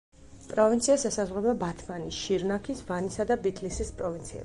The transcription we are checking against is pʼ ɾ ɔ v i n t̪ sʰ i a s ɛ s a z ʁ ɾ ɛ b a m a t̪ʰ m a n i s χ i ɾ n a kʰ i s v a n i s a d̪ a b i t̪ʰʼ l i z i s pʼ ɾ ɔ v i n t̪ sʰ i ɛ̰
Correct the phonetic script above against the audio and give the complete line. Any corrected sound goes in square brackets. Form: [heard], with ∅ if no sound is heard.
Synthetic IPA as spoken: pʼ ɾ ɔ v i n t̪ sʰ i a s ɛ s a z ʁ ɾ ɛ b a [b] a t̪ʰ m a n i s [ʃ] i ɾ n a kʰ i s v a n i s a d̪ a b i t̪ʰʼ l i [s] i s pʼ ɾ ɔ v i n t̪ sʰ i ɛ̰